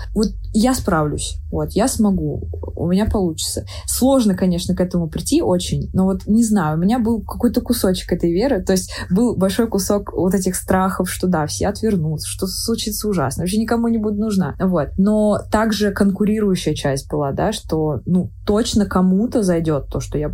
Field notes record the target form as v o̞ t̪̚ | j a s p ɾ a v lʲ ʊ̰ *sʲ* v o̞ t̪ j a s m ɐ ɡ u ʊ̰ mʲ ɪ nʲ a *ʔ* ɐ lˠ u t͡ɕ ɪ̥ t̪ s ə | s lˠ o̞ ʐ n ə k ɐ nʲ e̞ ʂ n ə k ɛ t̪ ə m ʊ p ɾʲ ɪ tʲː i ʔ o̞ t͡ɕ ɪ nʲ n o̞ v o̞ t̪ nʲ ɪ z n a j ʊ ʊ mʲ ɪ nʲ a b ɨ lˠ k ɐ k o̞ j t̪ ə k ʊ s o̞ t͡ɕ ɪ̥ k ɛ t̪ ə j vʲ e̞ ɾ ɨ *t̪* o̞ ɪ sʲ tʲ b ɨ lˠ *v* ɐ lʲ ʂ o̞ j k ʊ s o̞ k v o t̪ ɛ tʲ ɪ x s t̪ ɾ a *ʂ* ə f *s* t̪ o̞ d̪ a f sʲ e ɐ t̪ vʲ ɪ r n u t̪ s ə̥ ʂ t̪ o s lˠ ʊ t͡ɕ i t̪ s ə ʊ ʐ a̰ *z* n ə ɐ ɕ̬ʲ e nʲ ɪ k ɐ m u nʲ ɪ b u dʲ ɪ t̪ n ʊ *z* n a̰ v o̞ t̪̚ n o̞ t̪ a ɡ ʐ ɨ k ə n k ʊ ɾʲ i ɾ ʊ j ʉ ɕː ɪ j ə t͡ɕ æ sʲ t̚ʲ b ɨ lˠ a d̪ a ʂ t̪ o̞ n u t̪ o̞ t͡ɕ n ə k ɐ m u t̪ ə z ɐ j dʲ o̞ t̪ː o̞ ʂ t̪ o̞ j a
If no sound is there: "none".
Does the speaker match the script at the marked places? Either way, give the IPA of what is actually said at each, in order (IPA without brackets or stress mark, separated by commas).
sʲ, p, t̪, b, x, ʂ, s, ʐ